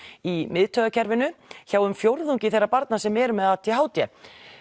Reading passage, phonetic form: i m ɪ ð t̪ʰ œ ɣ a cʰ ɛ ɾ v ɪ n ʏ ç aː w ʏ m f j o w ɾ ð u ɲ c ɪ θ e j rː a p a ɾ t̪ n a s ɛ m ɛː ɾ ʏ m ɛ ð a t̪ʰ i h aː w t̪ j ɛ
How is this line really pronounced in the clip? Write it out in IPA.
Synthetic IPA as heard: i m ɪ ð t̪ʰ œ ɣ a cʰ ɛ ɾ v ɪ n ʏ ç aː w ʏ m f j o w ɾ ð u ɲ c ɪ θ e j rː a p a ɾ t̪ n a s ɛ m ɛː ɾ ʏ m ɛ ð a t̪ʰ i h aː w t̪ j ɛ